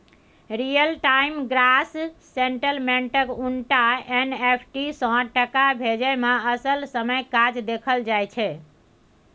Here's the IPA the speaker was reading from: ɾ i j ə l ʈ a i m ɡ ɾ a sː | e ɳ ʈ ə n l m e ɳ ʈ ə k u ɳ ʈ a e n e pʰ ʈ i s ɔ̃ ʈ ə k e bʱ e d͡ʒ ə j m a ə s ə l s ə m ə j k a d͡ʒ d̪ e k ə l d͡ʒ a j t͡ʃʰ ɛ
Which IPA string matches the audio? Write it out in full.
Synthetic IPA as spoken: ɾ i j ə l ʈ a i m ɡ ɾ a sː | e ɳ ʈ ə l m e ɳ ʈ ə k u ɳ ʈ a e n e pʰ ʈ i s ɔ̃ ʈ ə k a bʱ e d͡ʒ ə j m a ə s ə l s ə m ə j k a d͡ʒ d̪ e kʰ ə l d͡ʒ a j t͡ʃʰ ɛ

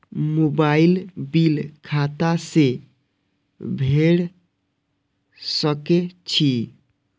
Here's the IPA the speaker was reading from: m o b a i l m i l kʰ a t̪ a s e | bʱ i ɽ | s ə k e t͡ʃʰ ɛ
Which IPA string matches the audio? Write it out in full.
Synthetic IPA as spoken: m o b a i l b i l kʰ a t̪ a s e | bʱ e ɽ | s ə k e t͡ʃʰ i

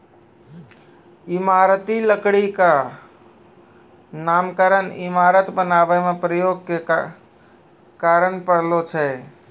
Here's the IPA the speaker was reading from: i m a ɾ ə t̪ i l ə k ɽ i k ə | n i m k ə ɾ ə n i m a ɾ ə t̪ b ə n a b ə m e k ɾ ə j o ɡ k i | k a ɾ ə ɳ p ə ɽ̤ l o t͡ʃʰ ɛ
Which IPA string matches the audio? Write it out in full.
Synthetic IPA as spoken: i m a ɾ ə t̪ i l ə k ɽ i k a | n a m k ə ɾ ə n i m a ɾ ə t̪ b ə n a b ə m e p ɾ ə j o ɡ k e | k a ɾ ə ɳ p ə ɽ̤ l o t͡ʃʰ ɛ

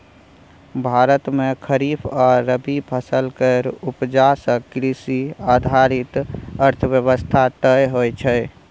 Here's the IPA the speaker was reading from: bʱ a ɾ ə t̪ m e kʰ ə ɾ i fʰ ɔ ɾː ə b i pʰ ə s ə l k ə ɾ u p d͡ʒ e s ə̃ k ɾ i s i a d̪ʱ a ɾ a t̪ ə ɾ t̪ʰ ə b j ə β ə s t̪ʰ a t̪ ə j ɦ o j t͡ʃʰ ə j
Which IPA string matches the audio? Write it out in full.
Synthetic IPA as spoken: bʱ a ɾ ə t̪ m e kʰ ə ɾ i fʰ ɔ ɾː ə b i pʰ ə s ə l k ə ɾ u p d͡ʒ a s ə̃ k ɾ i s i a d̪ʱ a ɾ i t̪ ə ɾ t̪ʰ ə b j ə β ə s t̪ʰ a t̪ ə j ɦ o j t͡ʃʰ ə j

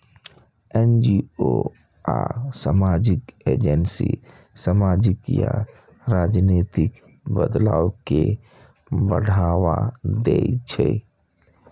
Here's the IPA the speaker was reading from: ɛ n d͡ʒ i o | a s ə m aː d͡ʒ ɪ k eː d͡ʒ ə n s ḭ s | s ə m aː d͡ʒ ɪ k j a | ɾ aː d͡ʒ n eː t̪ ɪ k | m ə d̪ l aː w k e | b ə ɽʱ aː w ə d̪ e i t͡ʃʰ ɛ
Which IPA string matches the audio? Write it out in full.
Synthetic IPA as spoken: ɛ n d͡ʒ i o | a s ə m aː d͡ʒ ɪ k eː d͡ʒ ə n s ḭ | s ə m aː d͡ʒ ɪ k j a | ɾ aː d͡ʒ n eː t̪ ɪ k | b ə d̪ l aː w k e | b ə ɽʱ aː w a d̪ e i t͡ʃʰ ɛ

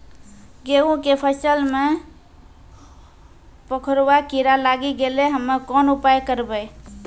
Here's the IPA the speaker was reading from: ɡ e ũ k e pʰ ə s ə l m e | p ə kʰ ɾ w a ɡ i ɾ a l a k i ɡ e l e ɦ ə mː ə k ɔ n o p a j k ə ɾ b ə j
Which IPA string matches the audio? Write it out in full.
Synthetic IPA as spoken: ɡ e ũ k e pʰ ə s ə l m e | p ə kʰ ɾ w a k i ɾ a l a ɡ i ɡ e l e ɦ ə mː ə k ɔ n u p a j k ə ɾ b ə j

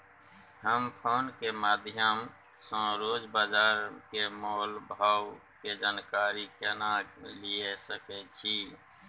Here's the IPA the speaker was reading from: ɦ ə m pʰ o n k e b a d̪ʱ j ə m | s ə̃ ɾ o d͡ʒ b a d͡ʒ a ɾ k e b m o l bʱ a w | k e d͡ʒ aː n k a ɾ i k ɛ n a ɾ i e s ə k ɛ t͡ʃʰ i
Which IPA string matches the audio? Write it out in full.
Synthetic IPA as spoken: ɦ ə m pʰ o n k e m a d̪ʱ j ə m | s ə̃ ɾ o d͡ʒ b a d͡ʒ a ɾ k e m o l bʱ a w | k e d͡ʒ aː n k a ɾ i k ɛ n a l i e s ə k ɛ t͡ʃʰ i

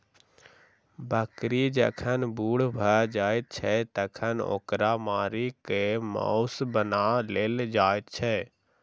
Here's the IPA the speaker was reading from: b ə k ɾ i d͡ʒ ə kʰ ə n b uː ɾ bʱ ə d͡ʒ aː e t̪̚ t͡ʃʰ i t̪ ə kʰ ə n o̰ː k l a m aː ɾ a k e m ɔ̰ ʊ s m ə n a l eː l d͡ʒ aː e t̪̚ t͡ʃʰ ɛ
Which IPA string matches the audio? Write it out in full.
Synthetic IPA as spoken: b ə k ɾ i d͡ʒ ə kʰ ə n b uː ɽ bʱ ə d͡ʒ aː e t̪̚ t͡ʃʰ ɛ t̪ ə kʰ ə n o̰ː k ɾ a m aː ɾ i k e m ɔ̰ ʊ s b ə n a l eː l d͡ʒ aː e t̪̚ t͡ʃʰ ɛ

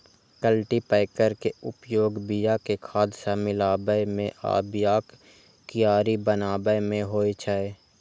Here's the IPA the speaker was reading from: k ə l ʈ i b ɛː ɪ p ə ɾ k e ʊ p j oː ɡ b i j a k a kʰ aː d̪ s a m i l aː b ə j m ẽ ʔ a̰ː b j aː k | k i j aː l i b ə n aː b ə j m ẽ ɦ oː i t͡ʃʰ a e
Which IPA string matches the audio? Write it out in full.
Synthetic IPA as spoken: k ə l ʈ i p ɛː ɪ k ə ɾ k e ʊ p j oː ɡ b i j a k e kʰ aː d̪ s a m ɪ l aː b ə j m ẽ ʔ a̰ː b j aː k | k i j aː ɾ i b ə n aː b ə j m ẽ ɦ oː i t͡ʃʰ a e

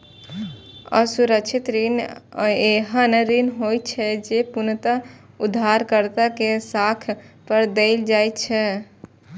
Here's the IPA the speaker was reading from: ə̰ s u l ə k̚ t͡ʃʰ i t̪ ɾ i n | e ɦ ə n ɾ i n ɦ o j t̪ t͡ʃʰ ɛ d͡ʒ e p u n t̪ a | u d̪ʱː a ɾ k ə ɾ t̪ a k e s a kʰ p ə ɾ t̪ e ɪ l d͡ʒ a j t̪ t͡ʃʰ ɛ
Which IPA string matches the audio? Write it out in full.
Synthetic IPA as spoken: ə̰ s u ɾ ə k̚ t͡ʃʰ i t̪ ɾ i n | e ɦ ə n ɾ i n ɦ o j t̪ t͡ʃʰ ɛ d͡ʒ e p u n t̪ a | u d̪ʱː a ɾ k ə ɾ t̪ a k e s a kʰ p ə ɾ d̪ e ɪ l d͡ʒ a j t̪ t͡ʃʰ ɛ

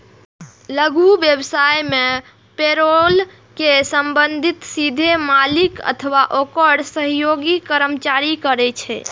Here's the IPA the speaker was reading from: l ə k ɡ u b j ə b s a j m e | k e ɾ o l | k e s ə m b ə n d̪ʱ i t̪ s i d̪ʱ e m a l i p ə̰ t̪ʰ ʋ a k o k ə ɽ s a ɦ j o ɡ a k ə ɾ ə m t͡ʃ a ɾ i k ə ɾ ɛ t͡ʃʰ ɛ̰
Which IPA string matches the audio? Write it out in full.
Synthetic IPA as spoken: l ə ɡ u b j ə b s a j m e | p e ɾ o l | k e s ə m b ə n d̪ʱ i t̪ s i d̪ʱ e m a l i k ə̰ t̪ʰ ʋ a ʔ o k ə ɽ s ə ɦ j o ɡ i k ə ɾ ə m t͡ʃ a ɾ i k ə ɾ ɛ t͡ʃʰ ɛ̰

